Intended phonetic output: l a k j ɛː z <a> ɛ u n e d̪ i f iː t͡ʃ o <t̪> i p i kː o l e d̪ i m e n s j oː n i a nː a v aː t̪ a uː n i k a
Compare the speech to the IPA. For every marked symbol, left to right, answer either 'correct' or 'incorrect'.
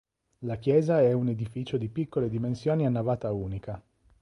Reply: correct, incorrect: d̪

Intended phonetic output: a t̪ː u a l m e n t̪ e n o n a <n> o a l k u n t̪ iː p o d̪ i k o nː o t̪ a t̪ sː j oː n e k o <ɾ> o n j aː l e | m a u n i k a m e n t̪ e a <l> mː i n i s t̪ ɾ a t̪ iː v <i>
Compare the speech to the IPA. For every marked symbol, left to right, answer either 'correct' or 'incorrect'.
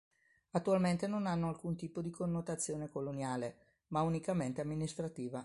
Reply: incorrect: nː, incorrect: l, incorrect: none, incorrect: a

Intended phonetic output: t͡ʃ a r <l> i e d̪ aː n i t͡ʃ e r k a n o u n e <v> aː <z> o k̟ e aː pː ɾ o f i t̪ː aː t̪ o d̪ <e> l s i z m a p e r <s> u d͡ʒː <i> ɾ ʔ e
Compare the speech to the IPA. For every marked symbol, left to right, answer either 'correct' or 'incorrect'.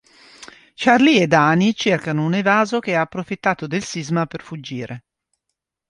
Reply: correct, correct, correct, correct, incorrect: f, incorrect: iː

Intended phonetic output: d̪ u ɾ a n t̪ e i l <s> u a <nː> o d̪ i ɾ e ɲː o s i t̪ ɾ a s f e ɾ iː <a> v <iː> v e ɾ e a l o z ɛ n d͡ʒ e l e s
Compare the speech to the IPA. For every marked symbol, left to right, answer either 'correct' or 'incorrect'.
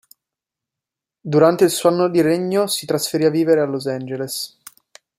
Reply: correct, correct, correct, correct

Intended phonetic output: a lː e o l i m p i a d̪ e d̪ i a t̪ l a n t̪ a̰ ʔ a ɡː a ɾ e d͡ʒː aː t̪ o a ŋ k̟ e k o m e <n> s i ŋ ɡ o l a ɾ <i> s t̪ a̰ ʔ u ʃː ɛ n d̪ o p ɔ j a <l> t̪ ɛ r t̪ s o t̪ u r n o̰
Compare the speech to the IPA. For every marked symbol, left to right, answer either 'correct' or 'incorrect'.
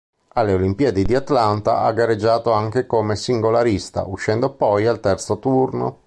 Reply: incorrect: none, correct, correct

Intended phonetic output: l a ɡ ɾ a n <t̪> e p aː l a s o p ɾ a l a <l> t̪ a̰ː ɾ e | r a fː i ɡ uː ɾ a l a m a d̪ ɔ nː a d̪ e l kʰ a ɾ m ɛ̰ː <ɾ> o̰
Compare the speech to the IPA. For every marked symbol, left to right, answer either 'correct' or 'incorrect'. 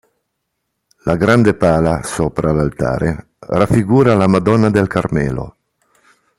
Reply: incorrect: d̪, correct, incorrect: l

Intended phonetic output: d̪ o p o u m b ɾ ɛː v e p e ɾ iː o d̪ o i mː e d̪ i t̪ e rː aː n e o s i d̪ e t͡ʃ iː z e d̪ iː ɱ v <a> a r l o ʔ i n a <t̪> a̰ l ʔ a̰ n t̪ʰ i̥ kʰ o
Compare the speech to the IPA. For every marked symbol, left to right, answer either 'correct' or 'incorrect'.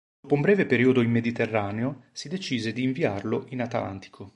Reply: incorrect: i, correct

